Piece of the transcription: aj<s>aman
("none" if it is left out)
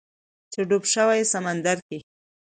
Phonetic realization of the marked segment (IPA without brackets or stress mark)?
s